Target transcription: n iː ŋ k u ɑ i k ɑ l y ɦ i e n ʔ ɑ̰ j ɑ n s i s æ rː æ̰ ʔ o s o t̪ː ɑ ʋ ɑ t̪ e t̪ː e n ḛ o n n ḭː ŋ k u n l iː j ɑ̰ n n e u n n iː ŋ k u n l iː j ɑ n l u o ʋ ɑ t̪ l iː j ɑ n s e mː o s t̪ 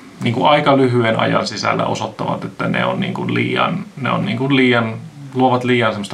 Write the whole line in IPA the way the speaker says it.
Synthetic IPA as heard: n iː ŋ k u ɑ i k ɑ l y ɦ y e n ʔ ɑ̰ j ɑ n s i s æ lː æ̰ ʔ o s o t̪ː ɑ ʋ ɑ t̪ e t̪ː æ n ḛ o n n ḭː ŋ k u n l iː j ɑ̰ n n e o n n iː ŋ k u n l iː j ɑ n l u o ʋ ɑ t̪ l iː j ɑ n s e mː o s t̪